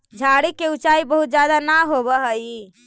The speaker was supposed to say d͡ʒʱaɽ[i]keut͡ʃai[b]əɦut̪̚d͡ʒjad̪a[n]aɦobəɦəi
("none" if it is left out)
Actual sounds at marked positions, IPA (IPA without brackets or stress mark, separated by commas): i, b, n